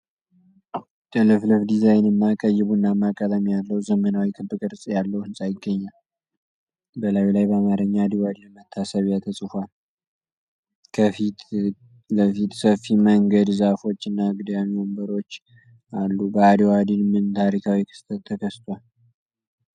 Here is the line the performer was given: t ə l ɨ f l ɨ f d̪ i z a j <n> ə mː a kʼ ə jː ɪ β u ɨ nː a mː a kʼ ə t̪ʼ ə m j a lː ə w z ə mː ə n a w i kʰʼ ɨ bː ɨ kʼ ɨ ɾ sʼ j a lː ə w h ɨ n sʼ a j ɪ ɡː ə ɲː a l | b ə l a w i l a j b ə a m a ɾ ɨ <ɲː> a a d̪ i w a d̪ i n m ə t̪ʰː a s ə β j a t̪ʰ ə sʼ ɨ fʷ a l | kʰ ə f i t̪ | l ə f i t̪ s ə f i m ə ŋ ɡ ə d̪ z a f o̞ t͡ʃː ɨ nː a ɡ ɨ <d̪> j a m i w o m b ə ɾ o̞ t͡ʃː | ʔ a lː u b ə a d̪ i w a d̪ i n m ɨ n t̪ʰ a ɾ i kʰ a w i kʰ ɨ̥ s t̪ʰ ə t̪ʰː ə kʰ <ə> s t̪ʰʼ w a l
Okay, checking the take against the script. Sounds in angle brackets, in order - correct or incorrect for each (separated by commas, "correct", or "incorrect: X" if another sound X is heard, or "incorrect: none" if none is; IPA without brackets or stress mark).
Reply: correct, correct, correct, correct